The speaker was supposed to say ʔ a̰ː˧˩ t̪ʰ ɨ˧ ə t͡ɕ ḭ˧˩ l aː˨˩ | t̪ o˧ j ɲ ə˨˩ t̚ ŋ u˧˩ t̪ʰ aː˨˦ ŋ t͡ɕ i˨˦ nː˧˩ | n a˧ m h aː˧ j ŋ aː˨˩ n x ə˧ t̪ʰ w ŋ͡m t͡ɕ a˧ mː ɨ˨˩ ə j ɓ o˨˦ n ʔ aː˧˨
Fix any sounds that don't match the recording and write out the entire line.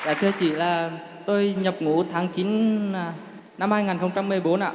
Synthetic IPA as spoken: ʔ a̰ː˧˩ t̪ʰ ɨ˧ ə t͡ɕ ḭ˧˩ l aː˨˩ | t̪ o˧ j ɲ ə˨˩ p̚ ŋ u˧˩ t̪ʰ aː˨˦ ŋ t͡ɕ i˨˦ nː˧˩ | n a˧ m h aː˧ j ŋ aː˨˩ n x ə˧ w ŋ͡m t͡ɕ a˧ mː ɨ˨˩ ə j ɓ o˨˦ n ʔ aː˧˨